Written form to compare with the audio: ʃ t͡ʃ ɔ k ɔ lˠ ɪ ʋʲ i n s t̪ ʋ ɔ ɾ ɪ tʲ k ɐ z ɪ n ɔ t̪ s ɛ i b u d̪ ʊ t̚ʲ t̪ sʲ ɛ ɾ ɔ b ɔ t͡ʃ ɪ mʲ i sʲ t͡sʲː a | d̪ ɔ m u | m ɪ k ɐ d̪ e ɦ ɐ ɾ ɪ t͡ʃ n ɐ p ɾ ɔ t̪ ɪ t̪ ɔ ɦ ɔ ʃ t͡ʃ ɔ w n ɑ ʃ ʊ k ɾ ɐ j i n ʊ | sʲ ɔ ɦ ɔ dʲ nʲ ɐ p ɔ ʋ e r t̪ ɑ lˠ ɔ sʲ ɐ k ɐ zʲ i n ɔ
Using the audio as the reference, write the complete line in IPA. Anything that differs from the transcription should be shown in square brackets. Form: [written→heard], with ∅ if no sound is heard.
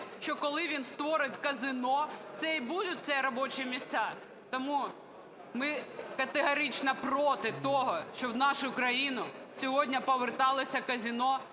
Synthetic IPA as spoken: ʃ t͡ʃ ɔ k ɔ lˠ ɪ ʋʲ i n s t̪ ʋ ɔ ɾ ɪ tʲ k ɐ z ɪ n ɔ t̪ s ɛ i b u d̪ ʊ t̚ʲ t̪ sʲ ɛ ɾ ɔ b ɔ t͡ʃ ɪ mʲ i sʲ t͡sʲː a | [d̪→t̪] ɔ m u | m ɪ k ɐ [d̪→t̪] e ɦ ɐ ɾ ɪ t͡ʃ n ɐ p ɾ ɔ t̪ ɪ t̪ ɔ ɦ ɔ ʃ t͡ʃ ɔ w n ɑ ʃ ʊ k ɾ ɐ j i n ʊ | sʲ ɔ ɦ ɔ dʲ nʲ ɐ p ɔ ʋ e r t̪ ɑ lˠ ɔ sʲ ɐ k ɐ zʲ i n ɔ